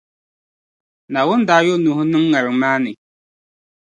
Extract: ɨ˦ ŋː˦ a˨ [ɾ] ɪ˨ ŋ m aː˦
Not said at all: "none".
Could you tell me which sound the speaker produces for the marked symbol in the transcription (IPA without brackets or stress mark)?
ɾ